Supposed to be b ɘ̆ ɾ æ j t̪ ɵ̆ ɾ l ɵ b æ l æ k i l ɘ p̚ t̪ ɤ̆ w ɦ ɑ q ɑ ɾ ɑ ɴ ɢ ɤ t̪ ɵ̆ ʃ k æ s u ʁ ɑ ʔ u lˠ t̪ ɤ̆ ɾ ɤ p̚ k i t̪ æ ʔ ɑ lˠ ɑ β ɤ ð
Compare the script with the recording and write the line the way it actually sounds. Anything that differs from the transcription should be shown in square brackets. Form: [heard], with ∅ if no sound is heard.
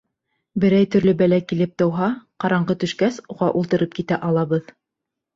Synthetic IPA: b ɘ̆ ɾ æ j t̪ ɵ̆ ɾ l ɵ b æ l æ k i l ɘ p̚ t̪ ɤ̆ w ɦ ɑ q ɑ ɾ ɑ ɴ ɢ ɤ t̪ ɵ̆ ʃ k æ s u ʁ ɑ ʔ u lˠ t̪ ɤ̆ ɾ ɤ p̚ k i t̪ æ ʔ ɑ lˠ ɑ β ɤ ð